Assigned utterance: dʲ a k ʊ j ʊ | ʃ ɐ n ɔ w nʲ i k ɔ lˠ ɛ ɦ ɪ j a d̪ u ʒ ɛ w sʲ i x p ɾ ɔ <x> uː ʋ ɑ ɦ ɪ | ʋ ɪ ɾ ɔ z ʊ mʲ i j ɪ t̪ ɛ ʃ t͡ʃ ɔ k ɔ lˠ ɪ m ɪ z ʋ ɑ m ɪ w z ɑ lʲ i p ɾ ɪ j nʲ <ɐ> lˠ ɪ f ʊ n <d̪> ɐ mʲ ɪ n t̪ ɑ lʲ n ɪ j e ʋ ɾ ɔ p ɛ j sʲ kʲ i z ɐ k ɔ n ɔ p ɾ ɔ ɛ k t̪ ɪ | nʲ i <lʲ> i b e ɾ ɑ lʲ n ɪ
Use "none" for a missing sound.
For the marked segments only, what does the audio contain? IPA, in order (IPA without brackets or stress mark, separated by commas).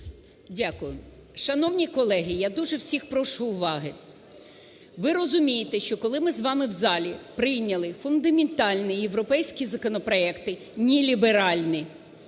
ʃ, ɐ, d̪, lʲ